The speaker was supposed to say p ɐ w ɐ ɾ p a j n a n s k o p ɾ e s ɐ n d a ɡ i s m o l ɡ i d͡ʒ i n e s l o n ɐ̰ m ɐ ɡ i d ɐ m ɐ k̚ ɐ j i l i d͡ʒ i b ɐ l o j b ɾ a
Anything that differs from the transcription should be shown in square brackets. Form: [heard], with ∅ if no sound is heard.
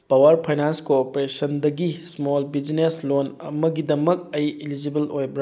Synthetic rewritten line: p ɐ w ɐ ɾ [pʰ] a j n a n s k o p ɾ e s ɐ n d [ɐ] ɡ i s m o l [b] i d͡ʒ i n e s l o n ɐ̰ m ɐ ɡ i d ɐ m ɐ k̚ ɐ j i l i d͡ʒ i b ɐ l o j b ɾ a